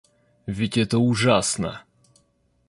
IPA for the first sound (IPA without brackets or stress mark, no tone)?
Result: vʲ